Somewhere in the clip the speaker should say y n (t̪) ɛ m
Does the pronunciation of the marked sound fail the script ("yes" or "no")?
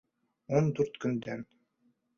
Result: yes